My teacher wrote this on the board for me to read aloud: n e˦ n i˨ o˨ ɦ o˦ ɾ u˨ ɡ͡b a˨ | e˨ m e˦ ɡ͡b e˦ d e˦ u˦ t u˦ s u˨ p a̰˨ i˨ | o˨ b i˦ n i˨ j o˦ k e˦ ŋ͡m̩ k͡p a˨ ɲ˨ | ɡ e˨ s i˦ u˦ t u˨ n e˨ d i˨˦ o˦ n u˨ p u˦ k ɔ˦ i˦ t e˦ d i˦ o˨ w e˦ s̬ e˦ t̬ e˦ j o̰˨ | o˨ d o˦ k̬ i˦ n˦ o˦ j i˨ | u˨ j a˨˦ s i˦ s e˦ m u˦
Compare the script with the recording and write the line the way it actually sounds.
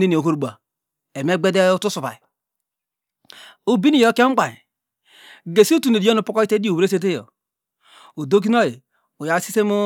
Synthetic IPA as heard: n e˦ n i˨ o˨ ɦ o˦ ɾ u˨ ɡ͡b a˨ | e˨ m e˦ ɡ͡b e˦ d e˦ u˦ t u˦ s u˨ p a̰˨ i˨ | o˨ b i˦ n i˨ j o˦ k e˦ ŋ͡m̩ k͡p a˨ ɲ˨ | ɡ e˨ s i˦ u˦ t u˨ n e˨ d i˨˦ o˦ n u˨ p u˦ k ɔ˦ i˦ t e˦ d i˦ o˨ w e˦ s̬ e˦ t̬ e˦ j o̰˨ | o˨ d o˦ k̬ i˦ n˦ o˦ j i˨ | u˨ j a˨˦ s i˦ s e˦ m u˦

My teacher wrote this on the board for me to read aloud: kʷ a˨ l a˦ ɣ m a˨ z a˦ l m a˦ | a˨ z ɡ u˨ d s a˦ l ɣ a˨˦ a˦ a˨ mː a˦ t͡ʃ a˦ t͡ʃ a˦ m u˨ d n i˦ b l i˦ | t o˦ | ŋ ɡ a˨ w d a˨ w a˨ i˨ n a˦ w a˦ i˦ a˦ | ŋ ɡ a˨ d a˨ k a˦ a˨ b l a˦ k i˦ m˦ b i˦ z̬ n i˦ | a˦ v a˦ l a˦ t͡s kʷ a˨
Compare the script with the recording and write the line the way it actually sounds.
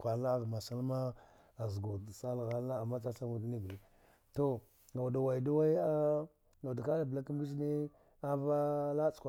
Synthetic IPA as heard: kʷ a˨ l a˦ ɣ m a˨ s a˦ l m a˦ | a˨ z ɡ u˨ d s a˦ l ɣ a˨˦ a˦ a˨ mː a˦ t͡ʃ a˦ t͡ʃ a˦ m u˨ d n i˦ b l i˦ | t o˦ | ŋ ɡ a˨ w d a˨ w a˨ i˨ d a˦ w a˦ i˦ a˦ | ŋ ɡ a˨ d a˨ k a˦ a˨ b l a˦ k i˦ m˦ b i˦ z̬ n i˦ | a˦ v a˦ l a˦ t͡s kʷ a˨

